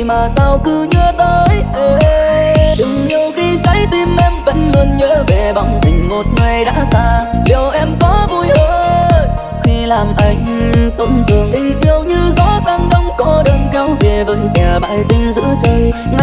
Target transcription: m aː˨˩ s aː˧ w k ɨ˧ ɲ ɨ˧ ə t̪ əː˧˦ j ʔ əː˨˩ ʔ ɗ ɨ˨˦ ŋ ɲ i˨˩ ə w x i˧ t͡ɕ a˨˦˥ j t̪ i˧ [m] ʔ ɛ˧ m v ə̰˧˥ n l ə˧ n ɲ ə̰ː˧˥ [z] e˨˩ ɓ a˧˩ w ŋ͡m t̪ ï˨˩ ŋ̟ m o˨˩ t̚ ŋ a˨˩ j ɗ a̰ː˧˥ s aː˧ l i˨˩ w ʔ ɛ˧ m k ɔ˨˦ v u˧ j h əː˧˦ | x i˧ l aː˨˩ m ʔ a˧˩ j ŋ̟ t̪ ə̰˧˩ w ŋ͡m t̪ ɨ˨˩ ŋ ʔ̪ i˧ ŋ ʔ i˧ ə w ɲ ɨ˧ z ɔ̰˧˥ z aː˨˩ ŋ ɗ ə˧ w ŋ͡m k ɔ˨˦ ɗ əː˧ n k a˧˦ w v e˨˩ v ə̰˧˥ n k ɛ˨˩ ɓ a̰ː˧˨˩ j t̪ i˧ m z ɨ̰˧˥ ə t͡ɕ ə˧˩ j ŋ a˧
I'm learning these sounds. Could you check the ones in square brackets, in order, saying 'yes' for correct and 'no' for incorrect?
yes, no

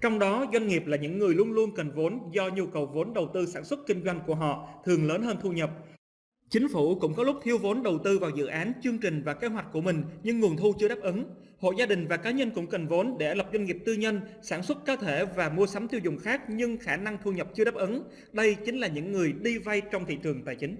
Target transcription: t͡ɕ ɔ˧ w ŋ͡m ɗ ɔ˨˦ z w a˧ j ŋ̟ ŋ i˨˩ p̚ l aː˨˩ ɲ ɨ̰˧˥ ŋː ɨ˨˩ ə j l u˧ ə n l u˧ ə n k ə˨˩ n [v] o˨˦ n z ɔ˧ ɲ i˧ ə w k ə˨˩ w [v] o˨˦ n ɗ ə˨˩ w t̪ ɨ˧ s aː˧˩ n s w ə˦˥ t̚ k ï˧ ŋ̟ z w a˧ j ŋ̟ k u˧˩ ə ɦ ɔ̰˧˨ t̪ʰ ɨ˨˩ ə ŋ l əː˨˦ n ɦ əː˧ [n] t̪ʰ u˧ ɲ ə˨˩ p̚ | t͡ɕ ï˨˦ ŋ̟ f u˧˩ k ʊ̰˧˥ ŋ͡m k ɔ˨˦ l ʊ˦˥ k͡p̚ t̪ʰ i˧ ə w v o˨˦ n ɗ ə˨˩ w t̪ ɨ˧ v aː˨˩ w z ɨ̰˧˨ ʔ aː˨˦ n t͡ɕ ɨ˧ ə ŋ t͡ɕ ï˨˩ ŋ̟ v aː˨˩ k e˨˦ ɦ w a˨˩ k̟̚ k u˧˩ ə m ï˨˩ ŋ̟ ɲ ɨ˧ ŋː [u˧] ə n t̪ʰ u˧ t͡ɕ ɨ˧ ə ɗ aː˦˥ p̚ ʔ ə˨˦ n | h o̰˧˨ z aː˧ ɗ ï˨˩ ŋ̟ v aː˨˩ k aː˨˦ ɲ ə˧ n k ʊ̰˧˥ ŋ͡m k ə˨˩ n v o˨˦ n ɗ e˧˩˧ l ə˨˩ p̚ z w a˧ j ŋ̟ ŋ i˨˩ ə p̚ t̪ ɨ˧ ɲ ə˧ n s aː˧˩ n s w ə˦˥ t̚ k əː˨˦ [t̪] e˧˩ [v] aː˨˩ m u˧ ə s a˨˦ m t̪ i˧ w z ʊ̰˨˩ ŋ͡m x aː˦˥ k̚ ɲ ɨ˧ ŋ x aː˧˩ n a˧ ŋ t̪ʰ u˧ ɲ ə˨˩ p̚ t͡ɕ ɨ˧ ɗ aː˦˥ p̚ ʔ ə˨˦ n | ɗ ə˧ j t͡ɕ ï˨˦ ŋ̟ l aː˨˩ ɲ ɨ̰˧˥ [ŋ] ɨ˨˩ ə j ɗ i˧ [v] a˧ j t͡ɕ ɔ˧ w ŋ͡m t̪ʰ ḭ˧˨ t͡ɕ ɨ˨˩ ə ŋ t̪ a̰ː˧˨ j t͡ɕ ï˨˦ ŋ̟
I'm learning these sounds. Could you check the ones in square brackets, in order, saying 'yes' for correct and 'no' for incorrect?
yes, yes, yes, no, no, yes, no, yes

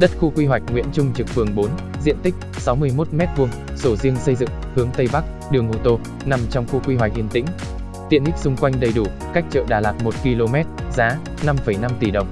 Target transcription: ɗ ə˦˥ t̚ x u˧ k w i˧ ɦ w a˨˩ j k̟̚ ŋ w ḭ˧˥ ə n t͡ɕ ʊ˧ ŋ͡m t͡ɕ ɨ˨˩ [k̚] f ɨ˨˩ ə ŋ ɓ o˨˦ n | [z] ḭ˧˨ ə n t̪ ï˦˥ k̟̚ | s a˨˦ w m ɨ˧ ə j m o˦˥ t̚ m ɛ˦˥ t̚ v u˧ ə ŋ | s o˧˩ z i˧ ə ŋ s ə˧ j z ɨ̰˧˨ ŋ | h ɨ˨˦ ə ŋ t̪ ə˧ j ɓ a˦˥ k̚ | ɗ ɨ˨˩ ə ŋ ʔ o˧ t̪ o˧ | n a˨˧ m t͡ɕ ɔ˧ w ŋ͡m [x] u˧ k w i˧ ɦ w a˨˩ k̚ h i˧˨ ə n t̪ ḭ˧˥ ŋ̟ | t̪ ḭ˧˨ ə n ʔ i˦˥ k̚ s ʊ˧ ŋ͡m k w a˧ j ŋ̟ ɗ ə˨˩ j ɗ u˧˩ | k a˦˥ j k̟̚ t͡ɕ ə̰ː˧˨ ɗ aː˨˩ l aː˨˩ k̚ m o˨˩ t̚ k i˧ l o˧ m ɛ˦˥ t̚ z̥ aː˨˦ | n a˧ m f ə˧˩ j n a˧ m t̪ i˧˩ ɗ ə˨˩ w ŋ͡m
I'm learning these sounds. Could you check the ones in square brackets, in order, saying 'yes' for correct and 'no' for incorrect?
yes, yes, yes

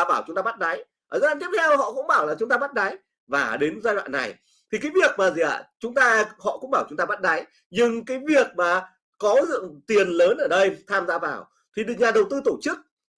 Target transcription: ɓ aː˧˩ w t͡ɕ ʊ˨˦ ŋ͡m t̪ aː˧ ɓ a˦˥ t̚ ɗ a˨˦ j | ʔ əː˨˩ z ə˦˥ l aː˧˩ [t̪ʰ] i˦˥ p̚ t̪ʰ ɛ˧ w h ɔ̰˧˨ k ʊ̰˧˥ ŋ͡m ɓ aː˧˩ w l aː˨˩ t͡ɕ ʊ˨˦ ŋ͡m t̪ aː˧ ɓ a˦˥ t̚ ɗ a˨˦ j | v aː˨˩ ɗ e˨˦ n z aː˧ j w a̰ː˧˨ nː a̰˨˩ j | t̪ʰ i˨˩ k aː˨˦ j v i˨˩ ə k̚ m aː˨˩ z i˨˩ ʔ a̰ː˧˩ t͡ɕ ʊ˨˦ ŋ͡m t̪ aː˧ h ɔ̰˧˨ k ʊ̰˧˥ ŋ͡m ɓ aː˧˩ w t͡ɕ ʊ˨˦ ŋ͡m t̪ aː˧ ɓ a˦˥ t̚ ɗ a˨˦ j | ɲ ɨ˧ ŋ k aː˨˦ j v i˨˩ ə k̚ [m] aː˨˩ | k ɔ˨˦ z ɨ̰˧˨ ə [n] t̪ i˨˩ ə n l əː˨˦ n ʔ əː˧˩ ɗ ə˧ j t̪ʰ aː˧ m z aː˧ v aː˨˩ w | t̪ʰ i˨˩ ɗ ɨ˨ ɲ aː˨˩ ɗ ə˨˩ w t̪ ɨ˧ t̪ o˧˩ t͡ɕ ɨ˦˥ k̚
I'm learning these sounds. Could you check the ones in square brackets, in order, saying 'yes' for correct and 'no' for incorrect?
no, yes, no

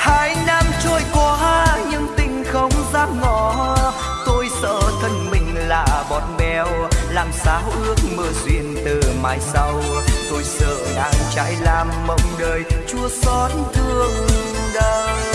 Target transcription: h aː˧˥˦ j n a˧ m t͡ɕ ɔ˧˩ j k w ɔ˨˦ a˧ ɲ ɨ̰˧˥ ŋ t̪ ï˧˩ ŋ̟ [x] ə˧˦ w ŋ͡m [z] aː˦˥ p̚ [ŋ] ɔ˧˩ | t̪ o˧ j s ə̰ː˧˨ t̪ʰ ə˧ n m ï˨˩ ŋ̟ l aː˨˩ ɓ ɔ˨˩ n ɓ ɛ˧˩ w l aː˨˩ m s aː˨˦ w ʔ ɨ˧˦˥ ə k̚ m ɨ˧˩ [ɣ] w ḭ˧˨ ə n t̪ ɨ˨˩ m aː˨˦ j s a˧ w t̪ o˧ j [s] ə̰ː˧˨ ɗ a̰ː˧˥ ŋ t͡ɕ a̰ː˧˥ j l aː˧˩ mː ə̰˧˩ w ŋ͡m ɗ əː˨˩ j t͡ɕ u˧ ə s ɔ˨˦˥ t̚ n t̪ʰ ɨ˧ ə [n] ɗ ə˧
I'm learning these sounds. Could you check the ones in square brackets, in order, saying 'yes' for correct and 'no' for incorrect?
yes, yes, yes, no, yes, no

